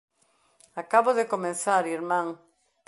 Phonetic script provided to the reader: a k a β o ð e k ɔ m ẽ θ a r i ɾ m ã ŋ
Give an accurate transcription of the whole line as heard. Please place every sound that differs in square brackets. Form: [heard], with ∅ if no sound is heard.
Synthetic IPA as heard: a k a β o ð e k [o] m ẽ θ a [ɾ] i ɾ m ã ŋ